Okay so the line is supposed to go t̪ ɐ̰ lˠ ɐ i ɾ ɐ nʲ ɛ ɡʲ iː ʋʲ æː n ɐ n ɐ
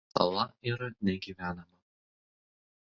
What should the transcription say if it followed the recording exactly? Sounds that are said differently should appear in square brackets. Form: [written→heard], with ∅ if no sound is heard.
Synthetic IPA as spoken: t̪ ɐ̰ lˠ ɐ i ɾ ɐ nʲ ɛ ɡʲ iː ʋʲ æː n ɐ [n→m] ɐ